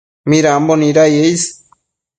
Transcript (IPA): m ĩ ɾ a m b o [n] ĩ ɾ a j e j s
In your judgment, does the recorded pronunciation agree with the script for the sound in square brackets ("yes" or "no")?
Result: yes